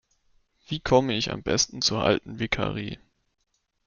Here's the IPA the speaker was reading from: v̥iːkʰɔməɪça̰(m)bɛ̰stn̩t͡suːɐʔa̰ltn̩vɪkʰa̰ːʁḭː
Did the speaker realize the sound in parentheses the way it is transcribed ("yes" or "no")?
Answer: yes